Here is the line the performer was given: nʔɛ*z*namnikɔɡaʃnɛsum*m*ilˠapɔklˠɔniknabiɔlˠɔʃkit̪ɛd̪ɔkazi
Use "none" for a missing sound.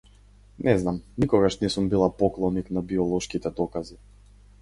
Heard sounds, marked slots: z, b

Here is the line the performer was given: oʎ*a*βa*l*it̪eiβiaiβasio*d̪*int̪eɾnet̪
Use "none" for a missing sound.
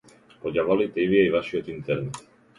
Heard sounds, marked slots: a, l, t̪

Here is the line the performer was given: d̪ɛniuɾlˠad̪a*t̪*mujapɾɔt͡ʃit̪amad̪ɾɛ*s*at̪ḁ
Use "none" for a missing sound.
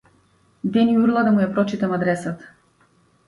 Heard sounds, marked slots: none, s

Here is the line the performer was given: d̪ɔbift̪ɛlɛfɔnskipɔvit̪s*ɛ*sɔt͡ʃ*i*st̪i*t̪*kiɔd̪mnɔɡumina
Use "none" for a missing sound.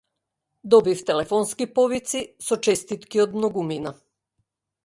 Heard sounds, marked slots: i, ɛ, t̪

